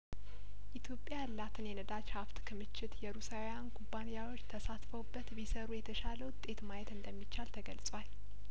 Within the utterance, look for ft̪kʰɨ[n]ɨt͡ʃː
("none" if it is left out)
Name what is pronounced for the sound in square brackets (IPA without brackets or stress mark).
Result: m